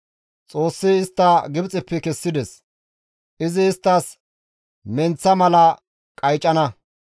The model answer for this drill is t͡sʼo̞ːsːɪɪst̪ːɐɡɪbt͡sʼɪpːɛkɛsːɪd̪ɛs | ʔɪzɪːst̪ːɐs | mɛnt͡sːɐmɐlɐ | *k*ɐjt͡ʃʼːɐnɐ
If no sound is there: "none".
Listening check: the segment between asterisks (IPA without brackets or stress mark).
kʼ